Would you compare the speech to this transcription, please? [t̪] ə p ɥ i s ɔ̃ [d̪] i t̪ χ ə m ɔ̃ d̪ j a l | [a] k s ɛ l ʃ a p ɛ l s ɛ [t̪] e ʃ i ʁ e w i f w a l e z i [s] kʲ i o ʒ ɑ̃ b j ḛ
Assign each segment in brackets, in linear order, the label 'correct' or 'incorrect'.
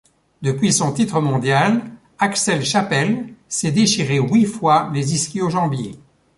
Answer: incorrect: d̪, incorrect: t̪, correct, incorrect: d̪, correct

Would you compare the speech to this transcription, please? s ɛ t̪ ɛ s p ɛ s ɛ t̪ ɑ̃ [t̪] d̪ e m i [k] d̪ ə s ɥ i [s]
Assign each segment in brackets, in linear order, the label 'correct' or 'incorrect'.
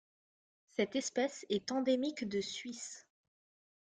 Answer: incorrect: none, correct, correct

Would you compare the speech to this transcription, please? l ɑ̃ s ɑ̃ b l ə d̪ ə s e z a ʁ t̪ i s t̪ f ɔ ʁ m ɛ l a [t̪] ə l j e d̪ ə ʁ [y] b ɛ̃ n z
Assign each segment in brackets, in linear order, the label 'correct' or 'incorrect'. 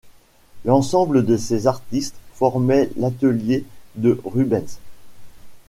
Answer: correct, correct

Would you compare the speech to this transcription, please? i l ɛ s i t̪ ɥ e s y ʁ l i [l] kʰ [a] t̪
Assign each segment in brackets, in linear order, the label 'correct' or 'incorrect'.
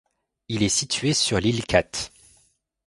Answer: correct, correct

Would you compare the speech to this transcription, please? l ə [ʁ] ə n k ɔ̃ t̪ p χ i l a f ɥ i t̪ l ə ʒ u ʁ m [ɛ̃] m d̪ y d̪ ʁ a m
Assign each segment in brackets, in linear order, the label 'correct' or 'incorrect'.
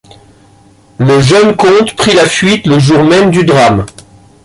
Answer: incorrect: ʒ, incorrect: ɛ

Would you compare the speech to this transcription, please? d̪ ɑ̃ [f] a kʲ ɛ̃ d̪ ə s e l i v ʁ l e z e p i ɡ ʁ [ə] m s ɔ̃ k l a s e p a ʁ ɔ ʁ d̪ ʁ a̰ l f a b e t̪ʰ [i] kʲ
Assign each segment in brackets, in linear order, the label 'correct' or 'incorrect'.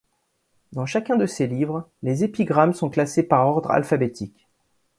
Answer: incorrect: ʃ, incorrect: a, correct

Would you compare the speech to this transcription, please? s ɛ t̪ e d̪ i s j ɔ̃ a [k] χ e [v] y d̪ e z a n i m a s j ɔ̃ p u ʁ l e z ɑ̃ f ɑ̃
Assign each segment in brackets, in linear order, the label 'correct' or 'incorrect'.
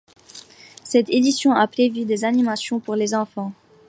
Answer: incorrect: p, correct

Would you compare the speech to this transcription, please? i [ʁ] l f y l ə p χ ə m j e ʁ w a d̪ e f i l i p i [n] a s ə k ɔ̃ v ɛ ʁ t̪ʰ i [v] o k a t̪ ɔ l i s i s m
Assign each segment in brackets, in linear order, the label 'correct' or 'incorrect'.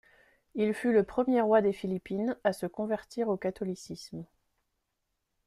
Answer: incorrect: none, correct, incorrect: ʁ

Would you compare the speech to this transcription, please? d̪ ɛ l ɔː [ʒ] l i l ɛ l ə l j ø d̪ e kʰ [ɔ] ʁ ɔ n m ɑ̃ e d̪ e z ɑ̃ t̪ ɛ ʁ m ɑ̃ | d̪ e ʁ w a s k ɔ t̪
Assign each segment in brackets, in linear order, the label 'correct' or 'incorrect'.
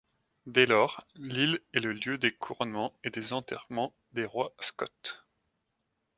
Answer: incorrect: ʁ, incorrect: u

